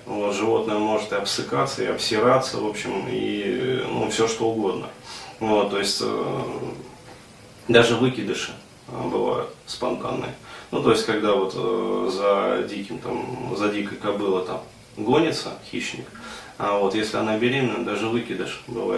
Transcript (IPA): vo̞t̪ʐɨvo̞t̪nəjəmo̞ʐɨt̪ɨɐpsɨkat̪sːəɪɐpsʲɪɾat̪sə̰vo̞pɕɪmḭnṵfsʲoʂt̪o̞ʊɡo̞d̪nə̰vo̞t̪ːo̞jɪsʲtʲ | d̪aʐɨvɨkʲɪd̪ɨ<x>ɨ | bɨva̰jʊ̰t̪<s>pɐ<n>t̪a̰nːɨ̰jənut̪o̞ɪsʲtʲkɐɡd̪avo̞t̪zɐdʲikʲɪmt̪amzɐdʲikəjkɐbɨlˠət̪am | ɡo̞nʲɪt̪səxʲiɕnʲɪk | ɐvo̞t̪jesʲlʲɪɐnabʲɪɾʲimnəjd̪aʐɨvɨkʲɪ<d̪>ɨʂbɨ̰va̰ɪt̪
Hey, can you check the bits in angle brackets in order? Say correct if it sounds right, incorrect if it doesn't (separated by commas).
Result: incorrect, correct, correct, correct